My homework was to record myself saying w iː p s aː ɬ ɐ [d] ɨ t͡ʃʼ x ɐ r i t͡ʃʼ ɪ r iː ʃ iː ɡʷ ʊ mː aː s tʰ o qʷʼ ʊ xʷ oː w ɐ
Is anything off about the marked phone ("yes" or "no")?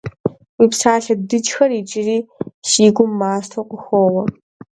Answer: no